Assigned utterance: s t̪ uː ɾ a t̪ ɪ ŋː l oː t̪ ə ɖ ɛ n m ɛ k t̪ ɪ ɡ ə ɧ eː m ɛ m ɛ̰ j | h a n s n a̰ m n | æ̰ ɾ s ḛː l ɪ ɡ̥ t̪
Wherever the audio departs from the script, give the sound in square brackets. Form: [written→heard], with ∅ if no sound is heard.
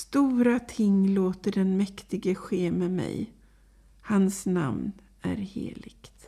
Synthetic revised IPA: s t̪ uː ɾ a [t̪→t̪ʰ] ɪ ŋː l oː t̪ ə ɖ ɛ n m ɛ k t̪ ɪ ɡ ə ɧ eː m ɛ m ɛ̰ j | h a n s n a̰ m n | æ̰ ɾ [s→h] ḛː l ɪ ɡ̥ t̪